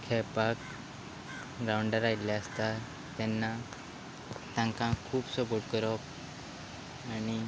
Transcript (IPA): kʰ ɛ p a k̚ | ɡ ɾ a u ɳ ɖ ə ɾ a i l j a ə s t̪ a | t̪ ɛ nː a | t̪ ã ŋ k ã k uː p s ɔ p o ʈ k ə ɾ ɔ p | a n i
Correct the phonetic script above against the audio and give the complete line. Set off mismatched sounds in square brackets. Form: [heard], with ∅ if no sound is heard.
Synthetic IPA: kʰ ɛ p a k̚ | ɡ ɾ a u ɳ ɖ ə ɾ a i l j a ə s t̪ a | t̪ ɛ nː a | t̪ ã ŋ k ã [kʰ] uː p s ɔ p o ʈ k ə ɾ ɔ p | a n i